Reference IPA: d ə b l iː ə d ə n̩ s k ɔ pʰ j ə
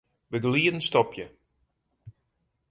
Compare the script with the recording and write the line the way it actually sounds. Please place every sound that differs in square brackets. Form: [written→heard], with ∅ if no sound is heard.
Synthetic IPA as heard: [d→b] ə [b→ɡ] l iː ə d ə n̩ s [k→t] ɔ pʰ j ə